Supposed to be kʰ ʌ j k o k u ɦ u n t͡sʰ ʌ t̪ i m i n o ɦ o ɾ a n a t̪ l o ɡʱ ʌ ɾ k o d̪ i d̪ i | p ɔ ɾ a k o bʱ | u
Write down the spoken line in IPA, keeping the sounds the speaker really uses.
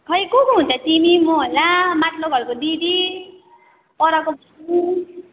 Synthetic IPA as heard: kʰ ʌ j k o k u ɦ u n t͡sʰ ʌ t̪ i m i m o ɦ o l a m a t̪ l o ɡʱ ʌ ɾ k o d̪ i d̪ i | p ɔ ɾ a k o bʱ | u